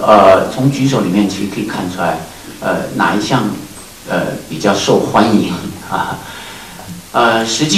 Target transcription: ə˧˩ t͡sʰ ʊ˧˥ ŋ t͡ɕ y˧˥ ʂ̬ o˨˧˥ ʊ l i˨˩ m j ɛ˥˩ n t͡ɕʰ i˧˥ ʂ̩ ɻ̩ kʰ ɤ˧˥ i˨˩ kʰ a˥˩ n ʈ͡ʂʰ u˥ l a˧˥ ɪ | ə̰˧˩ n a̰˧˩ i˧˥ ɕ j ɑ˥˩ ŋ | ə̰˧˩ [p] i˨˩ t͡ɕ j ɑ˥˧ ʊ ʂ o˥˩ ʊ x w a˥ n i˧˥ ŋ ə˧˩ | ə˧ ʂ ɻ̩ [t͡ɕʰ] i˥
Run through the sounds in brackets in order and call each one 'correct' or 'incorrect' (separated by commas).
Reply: correct, incorrect